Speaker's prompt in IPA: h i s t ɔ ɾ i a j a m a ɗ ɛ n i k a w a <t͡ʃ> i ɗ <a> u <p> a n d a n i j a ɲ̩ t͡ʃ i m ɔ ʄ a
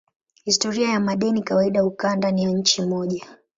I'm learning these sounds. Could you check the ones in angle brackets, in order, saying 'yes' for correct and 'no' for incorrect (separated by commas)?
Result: no, yes, no